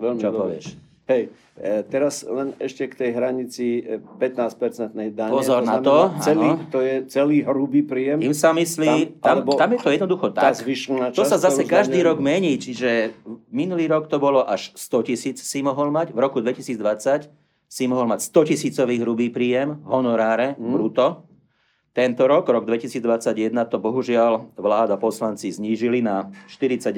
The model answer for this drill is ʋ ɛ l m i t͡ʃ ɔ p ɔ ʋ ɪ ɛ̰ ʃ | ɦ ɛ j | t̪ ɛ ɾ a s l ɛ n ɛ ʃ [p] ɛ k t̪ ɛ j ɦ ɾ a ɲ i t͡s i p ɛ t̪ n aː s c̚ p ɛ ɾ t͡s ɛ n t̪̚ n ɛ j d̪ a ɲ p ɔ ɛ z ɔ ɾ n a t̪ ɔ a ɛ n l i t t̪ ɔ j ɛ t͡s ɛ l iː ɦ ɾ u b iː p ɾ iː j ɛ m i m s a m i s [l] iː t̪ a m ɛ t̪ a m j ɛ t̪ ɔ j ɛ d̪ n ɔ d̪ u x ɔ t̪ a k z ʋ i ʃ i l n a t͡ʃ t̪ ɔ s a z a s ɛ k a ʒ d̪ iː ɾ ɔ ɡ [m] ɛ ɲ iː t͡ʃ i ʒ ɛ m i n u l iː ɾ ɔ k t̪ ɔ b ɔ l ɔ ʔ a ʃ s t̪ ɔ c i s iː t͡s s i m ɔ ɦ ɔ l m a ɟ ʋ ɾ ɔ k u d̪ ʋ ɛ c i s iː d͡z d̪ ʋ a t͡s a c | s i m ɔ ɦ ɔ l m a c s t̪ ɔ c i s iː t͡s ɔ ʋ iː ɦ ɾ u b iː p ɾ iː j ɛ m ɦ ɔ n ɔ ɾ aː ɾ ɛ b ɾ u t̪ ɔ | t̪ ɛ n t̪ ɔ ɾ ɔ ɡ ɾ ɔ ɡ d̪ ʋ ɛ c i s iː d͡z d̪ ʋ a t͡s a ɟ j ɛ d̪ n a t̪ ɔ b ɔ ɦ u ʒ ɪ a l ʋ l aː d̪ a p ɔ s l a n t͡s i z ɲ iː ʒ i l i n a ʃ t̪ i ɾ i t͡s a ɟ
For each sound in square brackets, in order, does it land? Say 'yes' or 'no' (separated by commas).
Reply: no, yes, yes